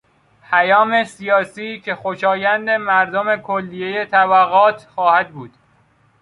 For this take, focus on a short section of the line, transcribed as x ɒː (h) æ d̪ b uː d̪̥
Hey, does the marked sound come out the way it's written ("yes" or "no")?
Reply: yes